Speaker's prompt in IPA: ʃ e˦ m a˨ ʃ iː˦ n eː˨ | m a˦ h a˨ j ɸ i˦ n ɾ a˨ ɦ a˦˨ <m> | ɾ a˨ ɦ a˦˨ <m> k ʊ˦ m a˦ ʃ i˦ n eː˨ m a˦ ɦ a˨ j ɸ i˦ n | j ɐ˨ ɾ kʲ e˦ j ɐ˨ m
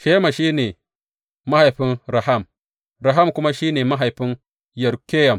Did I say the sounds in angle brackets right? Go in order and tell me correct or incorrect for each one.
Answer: correct, correct

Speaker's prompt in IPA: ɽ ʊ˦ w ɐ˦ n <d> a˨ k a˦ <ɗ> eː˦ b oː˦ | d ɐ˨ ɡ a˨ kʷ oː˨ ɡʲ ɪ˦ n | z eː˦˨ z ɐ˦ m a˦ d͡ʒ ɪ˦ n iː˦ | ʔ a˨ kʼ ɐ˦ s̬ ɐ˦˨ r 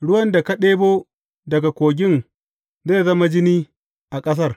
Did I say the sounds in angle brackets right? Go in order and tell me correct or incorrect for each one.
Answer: correct, correct

